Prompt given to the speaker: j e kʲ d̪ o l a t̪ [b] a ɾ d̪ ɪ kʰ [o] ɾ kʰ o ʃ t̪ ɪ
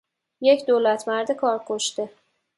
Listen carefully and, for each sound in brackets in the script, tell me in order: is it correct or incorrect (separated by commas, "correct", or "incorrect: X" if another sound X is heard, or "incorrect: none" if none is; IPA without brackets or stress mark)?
incorrect: m, incorrect: ɒ